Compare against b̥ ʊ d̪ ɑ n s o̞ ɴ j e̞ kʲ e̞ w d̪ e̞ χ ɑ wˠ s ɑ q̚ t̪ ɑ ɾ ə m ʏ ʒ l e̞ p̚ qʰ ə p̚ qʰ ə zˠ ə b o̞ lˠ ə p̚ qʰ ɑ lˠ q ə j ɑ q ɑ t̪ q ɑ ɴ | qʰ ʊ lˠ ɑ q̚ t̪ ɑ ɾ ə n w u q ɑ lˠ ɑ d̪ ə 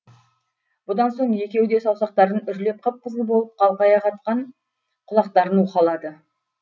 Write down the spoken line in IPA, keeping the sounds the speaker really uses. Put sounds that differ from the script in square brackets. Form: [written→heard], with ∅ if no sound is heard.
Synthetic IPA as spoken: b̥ ʊ d̪ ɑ n s o̞ ɴ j e̞ kʲ e̞ w d̪ e̞ [χ→s] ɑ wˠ s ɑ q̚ t̪ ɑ ɾ ə [m→n] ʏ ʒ l e̞ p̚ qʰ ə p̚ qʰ ə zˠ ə b o̞ lˠ ə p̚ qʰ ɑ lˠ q [ə→ɑ] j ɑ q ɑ t̪ q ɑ ɴ | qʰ ʊ lˠ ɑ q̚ t̪ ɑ ɾ ə n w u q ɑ lˠ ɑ d̪ ə

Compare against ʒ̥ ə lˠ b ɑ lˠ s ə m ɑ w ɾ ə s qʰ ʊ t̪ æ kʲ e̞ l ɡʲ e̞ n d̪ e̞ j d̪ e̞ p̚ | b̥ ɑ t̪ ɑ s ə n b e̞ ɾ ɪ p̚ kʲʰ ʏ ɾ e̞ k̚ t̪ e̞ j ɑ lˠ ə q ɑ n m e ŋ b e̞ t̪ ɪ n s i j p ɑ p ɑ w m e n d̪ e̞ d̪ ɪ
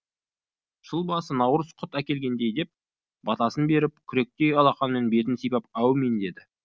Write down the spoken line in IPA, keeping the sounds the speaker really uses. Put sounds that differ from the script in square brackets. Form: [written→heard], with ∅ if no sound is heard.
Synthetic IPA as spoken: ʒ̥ ə lˠ b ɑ [lˠ→∅] s ə [m→n] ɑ w ɾ ə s qʰ ʊ t̪ æ kʲ e̞ l ɡʲ e̞ n d̪ e̞ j d̪ e̞ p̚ | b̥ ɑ t̪ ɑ s ə n b e̞ ɾ ɪ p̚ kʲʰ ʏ ɾ e̞ k̚ t̪ e̞ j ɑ lˠ [ə→ɑ] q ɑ n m e [ŋ→n] b e̞ t̪ ɪ n s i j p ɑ p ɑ w m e n d̪ e̞ d̪ ɪ

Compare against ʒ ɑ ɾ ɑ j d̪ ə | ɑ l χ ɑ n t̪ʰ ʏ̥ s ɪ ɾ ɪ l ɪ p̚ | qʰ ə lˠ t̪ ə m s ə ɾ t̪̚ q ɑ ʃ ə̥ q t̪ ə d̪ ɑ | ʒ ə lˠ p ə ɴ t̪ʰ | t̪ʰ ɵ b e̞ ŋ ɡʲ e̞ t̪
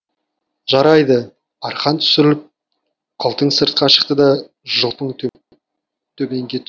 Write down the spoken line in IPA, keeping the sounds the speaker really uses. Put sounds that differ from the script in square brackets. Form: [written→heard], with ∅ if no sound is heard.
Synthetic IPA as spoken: ʒ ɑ ɾ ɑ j d̪ ə | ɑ [l→ɾ] χ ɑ n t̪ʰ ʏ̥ s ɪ ɾ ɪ l ɪ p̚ | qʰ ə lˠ t̪ ə [m→ɴ] s ə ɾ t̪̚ q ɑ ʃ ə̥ q t̪ ə d̪ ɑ | ʒ ə lˠ p ə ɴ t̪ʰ | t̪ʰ ɵ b e̞ ŋ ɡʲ e̞ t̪

